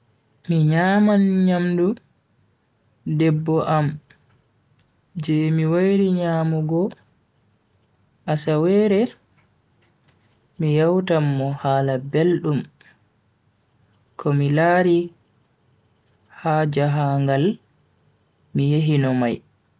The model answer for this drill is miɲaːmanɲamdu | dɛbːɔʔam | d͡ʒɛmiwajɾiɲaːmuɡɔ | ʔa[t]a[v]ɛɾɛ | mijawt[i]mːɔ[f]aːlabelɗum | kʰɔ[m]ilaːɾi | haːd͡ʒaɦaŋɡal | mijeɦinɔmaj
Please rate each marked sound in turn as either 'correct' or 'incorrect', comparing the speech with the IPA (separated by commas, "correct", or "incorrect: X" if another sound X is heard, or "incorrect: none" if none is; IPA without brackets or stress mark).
incorrect: s, incorrect: w, incorrect: a, incorrect: h, correct